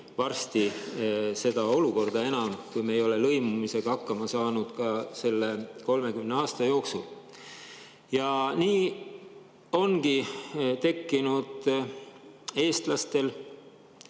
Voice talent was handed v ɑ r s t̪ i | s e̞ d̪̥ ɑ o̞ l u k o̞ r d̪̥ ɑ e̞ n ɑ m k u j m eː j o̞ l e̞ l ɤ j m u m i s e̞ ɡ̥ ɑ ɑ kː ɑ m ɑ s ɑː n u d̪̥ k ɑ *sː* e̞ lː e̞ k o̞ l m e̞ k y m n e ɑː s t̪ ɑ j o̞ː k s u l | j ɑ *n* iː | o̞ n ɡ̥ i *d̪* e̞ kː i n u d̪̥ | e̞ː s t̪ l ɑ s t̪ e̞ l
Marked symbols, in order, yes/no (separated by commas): no, yes, no